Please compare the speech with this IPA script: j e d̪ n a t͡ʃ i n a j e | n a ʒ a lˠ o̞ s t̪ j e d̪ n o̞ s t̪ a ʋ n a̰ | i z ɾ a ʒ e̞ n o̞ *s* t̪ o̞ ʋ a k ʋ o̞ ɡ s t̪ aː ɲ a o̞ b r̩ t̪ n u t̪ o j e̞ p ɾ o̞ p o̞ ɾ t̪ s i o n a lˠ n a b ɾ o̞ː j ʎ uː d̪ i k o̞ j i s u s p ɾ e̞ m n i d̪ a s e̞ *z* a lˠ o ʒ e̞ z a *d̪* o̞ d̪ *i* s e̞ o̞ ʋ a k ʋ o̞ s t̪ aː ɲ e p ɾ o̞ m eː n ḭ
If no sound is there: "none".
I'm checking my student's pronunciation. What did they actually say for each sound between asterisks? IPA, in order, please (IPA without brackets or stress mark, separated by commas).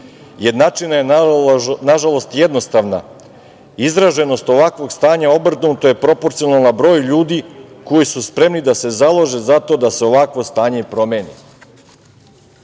s, z, t̪, a